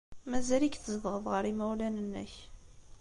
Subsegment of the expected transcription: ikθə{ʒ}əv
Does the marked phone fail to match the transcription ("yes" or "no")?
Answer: yes